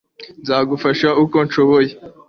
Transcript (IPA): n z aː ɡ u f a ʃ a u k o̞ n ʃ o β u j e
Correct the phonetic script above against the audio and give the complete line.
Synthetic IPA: n z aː ɡ u f a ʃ a u k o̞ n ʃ o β o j e